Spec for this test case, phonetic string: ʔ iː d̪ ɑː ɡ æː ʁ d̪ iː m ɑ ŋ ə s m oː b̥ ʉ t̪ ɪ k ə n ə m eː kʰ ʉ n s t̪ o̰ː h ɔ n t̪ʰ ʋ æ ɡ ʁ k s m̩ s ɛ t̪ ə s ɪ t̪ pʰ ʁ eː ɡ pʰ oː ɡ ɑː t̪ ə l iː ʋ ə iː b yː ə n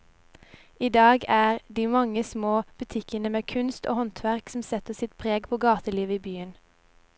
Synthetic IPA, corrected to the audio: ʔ iː d̪ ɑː ɡ æː ʁ d̪ iː m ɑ ŋ ə s m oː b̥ ʉ t̪ʰ ɪ k ə n ə m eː kʰ ʉ n s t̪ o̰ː h ɔ n t̪ʰ ʋ æ ʁ k s m̩ s ɛ t̪ ə s ɪ t̪ pʰ ʁ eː ɡ pʰ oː ɡ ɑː t̪ ə l iː ʋ ə iː b yː ə n

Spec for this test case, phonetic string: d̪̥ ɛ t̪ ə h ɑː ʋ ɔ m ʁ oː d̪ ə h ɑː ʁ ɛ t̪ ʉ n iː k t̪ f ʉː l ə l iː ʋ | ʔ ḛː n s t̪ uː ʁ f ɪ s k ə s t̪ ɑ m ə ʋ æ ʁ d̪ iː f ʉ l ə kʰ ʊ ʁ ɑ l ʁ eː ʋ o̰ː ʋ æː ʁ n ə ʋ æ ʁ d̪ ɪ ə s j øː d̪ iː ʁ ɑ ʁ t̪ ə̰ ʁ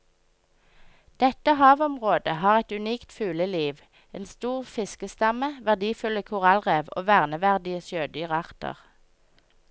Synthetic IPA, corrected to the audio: d̪̥ ɛ t̪ ə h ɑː ʋ ɔ m ʁ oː d̪ ə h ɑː ʁ ɛ t̪ ʉ n iː k t̪ f ʉː l ə l iː ʋ | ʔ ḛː n s t̪ uː ʁ f ɪ s k ə s t̪ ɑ m ə ʋ æ ʁ d̪ iː f ʉ l ə kʰ ʊ ʁ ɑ l ʁ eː ʋ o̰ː ʋ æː ʁ n ə ʋ æ ʁ d̪ ɪ ə s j øː d̪ yː ʁ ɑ ʁ t̪ ə̰ ʁ

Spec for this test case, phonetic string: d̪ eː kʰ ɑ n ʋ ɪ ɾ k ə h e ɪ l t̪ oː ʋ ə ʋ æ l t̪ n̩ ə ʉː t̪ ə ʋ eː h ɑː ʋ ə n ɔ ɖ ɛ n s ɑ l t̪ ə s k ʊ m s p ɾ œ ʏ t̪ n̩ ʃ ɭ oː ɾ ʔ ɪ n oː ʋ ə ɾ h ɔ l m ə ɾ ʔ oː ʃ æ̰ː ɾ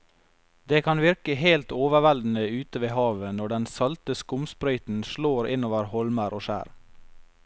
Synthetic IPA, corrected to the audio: d̪ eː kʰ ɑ n ʋ ɪ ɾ k ə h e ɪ l t̪ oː ʋ ə ʋ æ l d̪ n̩ ə ʉː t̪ ə ʋ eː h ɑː ʋ ə n ɔ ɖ ɛ n s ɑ l t̪ ə s k ʊ m s p ɾ œ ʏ t̪ n̩ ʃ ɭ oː ɾ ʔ ɪ n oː ʋ ə ɾ h ɔ l m ə ɾ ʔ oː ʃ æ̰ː ɾ

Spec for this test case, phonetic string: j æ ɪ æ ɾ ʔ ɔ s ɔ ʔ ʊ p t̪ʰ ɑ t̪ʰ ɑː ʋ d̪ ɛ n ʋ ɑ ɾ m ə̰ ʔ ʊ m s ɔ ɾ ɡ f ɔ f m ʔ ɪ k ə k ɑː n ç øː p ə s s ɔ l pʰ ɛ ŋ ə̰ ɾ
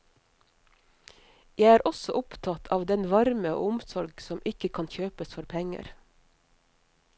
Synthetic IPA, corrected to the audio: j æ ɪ æː ɾ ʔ ɔ s ɔ ʔ ʊ p t̪ʰ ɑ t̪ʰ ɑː ʋ d̪ ɛ n ʋ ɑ ɾ m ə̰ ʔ ʊ m s ɔ ɾ ɡ s ɔ m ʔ ɪ k ə kʰ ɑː n ç øː p ə s f ɔ ɾ pʰ ɛ ŋ ə̰ ɾ

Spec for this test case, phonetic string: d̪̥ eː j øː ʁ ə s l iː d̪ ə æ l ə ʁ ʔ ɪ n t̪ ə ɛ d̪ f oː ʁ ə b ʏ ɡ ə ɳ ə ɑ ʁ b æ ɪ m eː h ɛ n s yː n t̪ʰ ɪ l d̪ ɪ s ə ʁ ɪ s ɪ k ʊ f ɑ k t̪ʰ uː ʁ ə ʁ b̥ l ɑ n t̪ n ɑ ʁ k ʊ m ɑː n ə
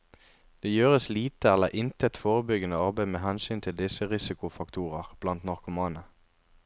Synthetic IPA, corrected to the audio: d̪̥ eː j øː ʁ ə s l iː t̪ ə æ l ə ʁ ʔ ɪ n t̪ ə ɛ t̪ f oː ʁ ə b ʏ ɡ ə n ə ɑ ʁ b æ ɪ m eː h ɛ n s yː n t̪ʰ ɪ l d̪ ɪ s ə ʁ ɪ s ɪ k ʊ f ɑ k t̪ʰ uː ʁ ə ʁ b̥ l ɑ n t̪ n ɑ ʁ k ʊ m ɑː n ə

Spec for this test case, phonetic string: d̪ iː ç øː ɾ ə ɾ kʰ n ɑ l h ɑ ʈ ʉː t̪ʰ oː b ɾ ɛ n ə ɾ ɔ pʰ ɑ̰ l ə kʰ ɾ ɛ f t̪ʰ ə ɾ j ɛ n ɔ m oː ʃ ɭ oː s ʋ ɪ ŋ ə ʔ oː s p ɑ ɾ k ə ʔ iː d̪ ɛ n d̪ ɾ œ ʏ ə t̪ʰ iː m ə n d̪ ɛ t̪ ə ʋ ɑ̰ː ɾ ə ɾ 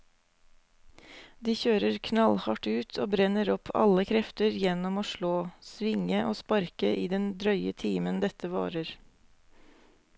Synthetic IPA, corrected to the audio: d̪ iː ç øː ɾ ə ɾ kʰ n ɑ l h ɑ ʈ ʉː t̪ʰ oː b ɾ ɛ n ə ɾ ɔ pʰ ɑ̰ l ə kʰ ɾ ɛ f t̪ ə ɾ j ɛ n ɔ m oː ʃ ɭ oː s ʋ ɪ ŋ ə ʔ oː s p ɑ ɾ k ə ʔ iː d̪ ɛ n d̪ ɾ œ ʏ ə t̪ʰ iː m ə n d̪ ɛ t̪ ə ʋ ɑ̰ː ɾ ə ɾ

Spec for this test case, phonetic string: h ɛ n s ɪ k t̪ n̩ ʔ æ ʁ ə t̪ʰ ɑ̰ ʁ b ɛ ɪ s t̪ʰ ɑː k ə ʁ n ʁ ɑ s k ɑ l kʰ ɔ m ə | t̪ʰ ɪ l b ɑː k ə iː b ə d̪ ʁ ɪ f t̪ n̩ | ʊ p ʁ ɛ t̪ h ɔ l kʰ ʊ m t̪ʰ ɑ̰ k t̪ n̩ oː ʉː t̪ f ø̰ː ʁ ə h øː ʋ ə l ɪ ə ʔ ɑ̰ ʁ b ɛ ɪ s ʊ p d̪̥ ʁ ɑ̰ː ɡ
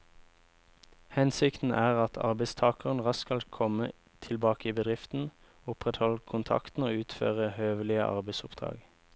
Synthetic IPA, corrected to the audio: h ɛ n s ɪ k t̪ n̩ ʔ æː ʁ ɑ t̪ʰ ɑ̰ ʁ b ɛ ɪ s t̪ʰ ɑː k ə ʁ n ʁ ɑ s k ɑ l kʰ ɔ m ə | t̪ʰ ɪ l b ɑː k ə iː b ə d̪ ʁ ɪ f t̪ n̩ | ʊ p ʁ ɛ t̪ h ɔ l kʰ ʊ n t̪ʰ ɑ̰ k t̪ n̩ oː ʉː t̪ f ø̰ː ʁ ə h øː ʋ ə l ɪ ə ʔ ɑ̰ ʁ b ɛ ɪ s ʊ p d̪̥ ʁ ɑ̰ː ɡ

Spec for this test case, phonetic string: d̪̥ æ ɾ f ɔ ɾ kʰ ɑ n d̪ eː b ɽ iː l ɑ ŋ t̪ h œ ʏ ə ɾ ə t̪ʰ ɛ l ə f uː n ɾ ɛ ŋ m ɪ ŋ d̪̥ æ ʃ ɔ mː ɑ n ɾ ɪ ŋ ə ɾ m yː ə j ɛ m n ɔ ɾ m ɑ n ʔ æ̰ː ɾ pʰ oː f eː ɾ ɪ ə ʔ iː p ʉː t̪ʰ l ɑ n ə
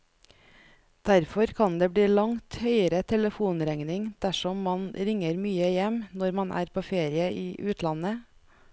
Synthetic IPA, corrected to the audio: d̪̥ æ ɾ f ɔ ɾ kʰ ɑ n d̪ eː b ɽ iː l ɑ ŋ t̪ h œ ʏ ə ɾ ə t̪ʰ ɛ l ə f uː n ɾ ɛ ŋ n ɪ ŋ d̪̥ æ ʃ ɔ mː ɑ n ɾ ɪ ŋ ə ɾ m yː ə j ɛ m n ɔ ɾ m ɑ n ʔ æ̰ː ɾ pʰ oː f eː ɾ ɪ ə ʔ iː ʔ ʉː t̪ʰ l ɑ n ə

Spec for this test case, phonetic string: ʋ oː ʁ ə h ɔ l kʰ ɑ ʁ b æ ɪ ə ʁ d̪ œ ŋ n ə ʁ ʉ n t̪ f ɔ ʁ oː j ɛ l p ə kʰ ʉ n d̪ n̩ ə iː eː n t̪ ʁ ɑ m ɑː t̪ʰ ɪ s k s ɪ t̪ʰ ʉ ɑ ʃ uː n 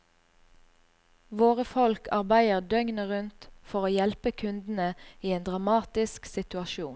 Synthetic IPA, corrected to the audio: ʋ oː ʁ ə f ɔ l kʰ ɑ ʁ b æ ɪ ə ʁ d̪ œ ŋ n ə ʁ ʉ n t̪ f ɔ ʁ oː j ɛ l p ə kʰ ʉ n d̪ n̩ ə iː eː n d̪ ʁ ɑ m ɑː t̪ ɪ s k s ɪ t̪ ʉ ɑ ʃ uː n

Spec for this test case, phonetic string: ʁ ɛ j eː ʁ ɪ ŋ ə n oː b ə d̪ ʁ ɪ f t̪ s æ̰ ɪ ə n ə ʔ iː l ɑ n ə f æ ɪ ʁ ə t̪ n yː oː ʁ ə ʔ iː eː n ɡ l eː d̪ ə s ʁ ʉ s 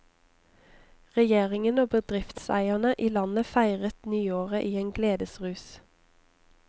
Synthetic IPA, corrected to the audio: ʁ ɛ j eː ʁ ɪ ŋ ə n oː b ə d̪ ʁ ɪ f t̪ s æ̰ ɪ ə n ə ʔ iː l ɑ n ə f æ ɪ ʁ ə t̪ n yː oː ʁ ə ʔ iː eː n ɡ l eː d̪ ə s ʁ ʉː s

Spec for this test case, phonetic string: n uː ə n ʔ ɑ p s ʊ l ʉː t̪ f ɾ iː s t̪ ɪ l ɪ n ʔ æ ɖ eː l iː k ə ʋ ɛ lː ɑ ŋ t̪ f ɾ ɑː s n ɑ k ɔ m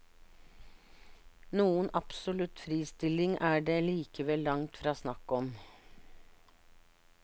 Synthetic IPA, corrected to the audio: n uː ə n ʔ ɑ p s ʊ l ʉ t̪ f ɾ iː s t̪ ɪ l ɪ ŋ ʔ æː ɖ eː l iː k ə ʋ ɛ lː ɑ ŋ t̪ f ɾ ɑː s n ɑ k ɔ m

